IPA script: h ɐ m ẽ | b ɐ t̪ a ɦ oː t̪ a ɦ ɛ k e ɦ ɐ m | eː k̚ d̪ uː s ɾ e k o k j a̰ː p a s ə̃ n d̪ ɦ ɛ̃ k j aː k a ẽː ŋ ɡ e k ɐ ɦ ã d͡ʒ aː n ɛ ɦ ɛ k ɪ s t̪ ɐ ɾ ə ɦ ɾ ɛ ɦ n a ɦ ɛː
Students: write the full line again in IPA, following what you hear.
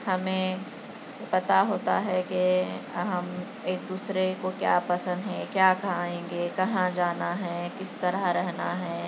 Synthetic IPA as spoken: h ɐ m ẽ | p ɐ t̪ a ɦ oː t̪ a ɦ ɛ k e ɦ ɐ m | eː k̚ d̪ uː s ɾ e k o k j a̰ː p ɐ s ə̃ n d̪ ɦ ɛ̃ k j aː k a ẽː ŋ ɡ e k ɐ ɦ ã d͡ʒ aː n a ɦ ɛ k ɪ s t̪ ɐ ɾ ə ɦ ɾ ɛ ɦ n a ɦ ɛː